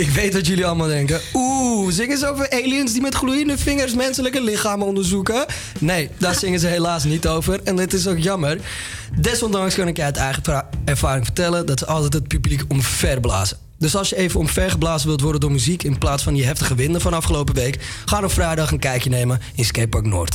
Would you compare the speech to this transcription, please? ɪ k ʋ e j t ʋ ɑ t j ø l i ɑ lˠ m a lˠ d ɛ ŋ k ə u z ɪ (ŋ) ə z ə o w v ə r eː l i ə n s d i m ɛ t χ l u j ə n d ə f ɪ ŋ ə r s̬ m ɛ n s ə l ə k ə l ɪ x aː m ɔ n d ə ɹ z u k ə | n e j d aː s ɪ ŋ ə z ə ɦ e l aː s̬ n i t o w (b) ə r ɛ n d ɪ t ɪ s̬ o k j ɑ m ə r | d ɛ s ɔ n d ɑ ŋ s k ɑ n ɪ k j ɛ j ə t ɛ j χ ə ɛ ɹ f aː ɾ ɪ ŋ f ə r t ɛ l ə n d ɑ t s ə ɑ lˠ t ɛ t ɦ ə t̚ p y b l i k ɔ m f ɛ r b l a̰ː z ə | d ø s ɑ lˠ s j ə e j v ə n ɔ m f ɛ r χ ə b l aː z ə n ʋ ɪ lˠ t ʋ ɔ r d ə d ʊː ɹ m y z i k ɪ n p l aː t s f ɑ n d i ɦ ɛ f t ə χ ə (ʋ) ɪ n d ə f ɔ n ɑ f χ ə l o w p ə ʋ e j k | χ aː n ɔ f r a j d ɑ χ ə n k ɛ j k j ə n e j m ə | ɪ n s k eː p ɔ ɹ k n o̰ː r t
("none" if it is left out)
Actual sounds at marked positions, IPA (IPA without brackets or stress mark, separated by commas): ŋ, v, ʋ